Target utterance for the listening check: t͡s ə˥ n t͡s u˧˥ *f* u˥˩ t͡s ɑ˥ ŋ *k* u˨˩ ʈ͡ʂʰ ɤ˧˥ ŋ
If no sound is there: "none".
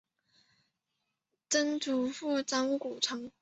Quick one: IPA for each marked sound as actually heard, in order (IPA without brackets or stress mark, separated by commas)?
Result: f, k